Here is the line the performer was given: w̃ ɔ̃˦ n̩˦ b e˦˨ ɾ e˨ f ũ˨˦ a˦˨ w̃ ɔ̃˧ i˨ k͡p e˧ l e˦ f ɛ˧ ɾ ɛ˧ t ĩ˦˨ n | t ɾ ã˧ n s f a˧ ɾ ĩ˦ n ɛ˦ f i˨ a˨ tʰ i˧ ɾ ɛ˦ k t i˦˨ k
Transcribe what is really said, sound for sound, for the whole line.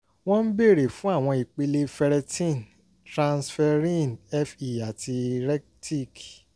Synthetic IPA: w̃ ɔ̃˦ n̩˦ b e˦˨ ɾ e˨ f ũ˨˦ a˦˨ w̃ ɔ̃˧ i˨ k͡p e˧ l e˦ f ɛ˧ ɾ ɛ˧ t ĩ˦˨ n | t ɾ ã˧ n s f ɛ˧ ɾ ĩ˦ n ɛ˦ f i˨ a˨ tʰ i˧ ɾ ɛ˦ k t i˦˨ k